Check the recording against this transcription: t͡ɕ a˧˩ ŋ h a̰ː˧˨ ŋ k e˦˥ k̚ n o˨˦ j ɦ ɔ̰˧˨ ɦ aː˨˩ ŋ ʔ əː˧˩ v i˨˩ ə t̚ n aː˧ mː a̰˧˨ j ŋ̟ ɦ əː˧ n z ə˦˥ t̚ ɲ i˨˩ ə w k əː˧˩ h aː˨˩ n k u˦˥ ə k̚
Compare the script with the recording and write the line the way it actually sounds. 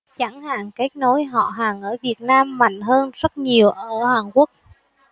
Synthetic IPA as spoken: t͡ɕ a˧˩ ŋ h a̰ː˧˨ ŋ k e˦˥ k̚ n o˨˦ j ɦ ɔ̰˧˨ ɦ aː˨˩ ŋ ʔ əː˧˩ v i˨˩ ə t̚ n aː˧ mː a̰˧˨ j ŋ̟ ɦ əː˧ n z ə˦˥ t̚ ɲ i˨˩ ə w ʔ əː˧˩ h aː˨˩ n k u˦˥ ə k̚